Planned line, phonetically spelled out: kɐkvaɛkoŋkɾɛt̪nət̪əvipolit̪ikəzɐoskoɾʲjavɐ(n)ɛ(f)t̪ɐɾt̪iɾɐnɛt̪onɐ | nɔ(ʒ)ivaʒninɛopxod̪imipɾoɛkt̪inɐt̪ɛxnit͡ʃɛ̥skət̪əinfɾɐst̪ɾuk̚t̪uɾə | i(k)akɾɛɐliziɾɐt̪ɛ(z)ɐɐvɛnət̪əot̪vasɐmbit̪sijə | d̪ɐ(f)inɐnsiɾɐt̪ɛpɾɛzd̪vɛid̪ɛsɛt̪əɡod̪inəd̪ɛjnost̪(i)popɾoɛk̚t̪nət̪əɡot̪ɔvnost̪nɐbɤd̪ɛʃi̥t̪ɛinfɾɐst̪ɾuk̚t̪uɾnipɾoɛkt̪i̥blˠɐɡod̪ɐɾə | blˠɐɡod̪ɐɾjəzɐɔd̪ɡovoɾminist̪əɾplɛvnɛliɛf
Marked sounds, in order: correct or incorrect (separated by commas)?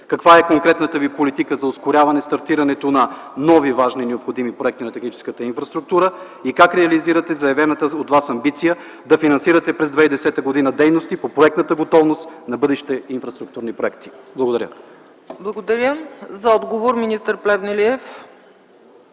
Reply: correct, incorrect, incorrect, correct, correct, correct, correct